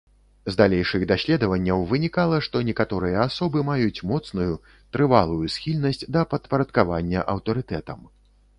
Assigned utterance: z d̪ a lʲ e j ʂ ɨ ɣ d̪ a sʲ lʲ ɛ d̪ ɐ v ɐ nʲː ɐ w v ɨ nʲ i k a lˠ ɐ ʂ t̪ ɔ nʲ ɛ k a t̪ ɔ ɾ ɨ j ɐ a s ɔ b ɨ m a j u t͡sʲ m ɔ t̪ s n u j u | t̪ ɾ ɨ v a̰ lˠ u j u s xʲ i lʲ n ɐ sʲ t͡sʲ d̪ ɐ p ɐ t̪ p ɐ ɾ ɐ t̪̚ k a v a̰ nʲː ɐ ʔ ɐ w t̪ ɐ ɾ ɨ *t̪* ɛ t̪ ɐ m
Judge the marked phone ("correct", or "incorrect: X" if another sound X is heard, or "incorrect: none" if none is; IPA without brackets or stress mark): correct